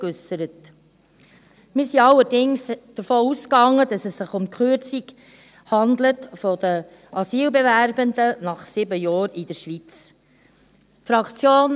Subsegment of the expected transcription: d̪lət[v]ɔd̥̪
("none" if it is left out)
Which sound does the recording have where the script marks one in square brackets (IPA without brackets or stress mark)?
f